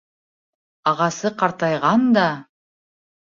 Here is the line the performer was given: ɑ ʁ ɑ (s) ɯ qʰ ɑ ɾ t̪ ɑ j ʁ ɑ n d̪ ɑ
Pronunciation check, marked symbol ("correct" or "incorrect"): correct